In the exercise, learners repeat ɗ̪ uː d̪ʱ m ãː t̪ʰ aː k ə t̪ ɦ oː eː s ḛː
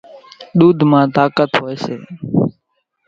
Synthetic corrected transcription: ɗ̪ uː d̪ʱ m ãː t̪ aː k ə t̪ ɦ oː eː s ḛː